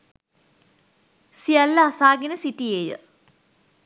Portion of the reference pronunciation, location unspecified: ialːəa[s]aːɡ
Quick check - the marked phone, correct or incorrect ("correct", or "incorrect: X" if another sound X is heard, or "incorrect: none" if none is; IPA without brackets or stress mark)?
correct